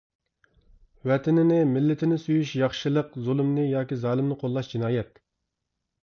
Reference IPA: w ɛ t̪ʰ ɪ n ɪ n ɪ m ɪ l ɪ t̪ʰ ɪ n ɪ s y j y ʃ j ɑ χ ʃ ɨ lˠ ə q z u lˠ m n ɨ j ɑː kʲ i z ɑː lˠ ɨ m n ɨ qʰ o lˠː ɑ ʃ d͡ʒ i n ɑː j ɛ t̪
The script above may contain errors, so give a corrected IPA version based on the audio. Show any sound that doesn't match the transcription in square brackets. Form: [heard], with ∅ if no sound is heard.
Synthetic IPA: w ɛ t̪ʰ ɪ n ɪ n ɪ m ɪ [lː] ɪ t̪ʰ ɪ n ɪ s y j y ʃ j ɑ χ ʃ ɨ lˠ ə q z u lˠ m n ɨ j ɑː kʲ i z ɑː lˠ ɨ m n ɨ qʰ o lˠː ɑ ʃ d͡ʒ i n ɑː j ɛ t̪